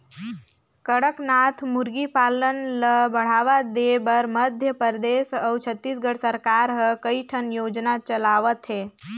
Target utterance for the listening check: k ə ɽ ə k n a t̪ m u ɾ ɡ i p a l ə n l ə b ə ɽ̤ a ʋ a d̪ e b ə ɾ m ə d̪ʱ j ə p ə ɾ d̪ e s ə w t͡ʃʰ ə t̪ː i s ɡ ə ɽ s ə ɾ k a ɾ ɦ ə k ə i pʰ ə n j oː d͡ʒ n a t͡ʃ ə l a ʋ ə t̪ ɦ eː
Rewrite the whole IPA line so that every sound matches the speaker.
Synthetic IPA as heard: k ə ɽ ə k n a t̪ʰ m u ɾ ɡ i p a l ə n l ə b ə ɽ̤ a ʋ a d̪ e b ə ɾ m ə d̪ʱ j ə p ə ɾ d̪ e s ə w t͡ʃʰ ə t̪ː i s ɡ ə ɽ s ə ɾ k a ɾ ɦ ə k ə i ʈʰ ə n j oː d͡ʒ n a t͡ʃ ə l a ʋ ə t̪ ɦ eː